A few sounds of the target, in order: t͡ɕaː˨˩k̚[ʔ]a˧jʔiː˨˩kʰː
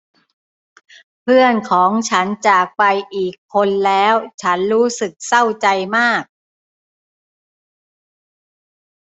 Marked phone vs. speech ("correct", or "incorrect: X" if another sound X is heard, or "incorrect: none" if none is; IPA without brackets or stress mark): incorrect: p